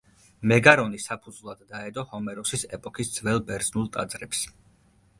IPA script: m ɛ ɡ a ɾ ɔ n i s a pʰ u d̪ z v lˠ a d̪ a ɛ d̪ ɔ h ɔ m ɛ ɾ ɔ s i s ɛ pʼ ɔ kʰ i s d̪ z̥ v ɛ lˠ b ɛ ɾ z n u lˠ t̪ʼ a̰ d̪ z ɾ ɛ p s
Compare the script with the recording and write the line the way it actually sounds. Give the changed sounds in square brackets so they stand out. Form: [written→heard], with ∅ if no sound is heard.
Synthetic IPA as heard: m ɛ ɡ a ɾ ɔ n i s a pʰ u d̪ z v lˠ a [d̪→d̪ː] a ɛ d̪ ɔ h ɔ m ɛ ɾ ɔ s i s ɛ pʼ ɔ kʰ i s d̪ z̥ v ɛ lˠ b ɛ ɾ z n u lˠ t̪ʼ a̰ d̪ z ɾ ɛ p s